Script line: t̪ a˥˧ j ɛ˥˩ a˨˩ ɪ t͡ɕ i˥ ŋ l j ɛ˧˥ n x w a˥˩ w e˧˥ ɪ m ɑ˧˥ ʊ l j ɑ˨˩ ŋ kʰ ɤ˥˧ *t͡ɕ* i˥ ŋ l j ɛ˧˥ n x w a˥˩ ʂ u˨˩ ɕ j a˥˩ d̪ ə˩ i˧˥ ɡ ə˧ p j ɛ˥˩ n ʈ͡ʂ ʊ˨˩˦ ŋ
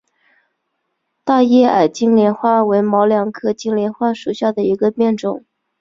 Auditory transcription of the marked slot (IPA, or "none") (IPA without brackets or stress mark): t͡ɕ